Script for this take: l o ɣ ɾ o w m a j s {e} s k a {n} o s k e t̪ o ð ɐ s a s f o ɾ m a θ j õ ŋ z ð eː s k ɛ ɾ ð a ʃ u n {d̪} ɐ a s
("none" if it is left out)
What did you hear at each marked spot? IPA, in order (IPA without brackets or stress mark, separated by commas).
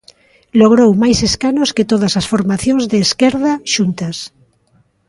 e, n, t̪